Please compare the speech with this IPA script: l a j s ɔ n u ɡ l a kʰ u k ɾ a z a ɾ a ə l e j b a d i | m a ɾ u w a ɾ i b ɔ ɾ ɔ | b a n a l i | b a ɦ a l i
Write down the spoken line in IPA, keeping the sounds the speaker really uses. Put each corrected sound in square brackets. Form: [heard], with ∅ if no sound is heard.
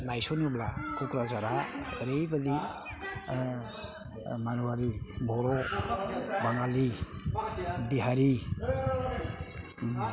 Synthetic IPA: l a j s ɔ n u [b] l a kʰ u k ɾ a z a ɾ a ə [ɾ] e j b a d i | m a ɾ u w a ɾ i b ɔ ɾ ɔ | b a [ŋ] a l i | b [i] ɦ a [ɾ] i